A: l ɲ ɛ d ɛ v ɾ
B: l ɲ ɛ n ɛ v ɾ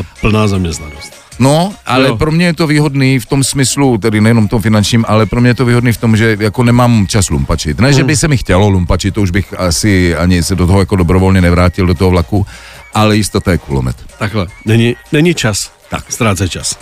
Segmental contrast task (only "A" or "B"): B